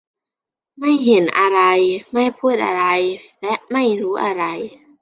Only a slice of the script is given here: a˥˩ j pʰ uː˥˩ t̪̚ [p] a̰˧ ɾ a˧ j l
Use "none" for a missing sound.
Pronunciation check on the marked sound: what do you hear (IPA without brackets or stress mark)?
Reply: ʔ